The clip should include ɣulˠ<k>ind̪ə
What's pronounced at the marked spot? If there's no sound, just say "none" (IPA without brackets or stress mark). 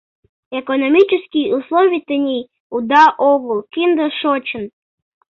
k